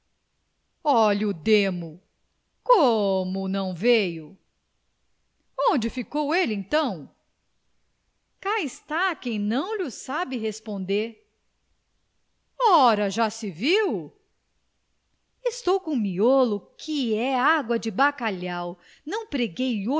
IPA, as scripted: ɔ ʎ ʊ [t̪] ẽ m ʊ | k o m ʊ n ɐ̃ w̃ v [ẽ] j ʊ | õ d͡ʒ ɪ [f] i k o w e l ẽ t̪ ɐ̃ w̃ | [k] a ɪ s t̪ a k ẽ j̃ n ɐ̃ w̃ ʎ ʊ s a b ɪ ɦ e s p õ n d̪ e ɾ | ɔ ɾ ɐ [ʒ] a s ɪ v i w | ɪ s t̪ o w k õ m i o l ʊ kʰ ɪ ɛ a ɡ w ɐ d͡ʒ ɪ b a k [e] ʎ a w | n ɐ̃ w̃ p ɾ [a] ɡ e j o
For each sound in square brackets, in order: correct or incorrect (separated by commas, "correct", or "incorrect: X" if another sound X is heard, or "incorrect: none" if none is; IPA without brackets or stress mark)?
incorrect: d̪, incorrect: e, correct, correct, correct, incorrect: a, incorrect: e